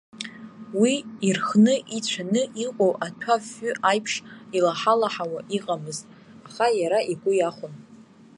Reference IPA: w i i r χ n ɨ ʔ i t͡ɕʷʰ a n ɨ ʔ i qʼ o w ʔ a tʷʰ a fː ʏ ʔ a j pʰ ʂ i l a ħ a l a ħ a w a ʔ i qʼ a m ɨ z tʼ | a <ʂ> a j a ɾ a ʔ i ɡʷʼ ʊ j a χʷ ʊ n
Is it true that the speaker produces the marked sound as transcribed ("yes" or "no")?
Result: no